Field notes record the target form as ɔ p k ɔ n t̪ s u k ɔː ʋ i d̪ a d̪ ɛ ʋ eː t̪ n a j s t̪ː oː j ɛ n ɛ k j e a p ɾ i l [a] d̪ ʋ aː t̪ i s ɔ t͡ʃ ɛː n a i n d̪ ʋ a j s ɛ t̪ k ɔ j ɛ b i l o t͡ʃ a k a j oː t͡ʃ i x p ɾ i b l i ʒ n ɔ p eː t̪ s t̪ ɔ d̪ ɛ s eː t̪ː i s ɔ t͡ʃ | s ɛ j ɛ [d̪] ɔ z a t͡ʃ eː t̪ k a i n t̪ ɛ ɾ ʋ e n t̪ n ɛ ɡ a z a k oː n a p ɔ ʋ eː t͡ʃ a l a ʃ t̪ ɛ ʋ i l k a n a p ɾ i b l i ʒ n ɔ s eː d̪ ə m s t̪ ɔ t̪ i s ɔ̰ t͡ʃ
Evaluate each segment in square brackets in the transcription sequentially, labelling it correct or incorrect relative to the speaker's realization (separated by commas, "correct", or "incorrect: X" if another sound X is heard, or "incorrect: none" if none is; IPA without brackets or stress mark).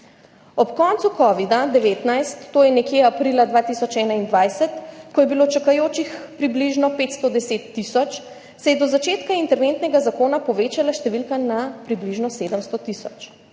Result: correct, correct